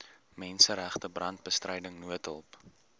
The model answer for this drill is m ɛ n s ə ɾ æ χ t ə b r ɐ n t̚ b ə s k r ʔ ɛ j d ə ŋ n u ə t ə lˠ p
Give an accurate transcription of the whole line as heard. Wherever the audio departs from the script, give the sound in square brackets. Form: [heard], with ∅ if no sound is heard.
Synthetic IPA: m ɛ n s ə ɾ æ χ t ə b r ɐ n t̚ b ə s [t] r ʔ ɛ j d ə ŋ n u ə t ə lˠ p